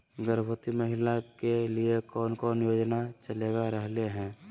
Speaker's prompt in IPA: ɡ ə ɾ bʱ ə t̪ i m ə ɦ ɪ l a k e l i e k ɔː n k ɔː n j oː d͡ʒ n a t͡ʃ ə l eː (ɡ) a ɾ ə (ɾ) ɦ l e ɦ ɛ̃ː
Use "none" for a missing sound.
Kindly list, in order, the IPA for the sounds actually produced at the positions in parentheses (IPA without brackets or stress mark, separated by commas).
ɡ, none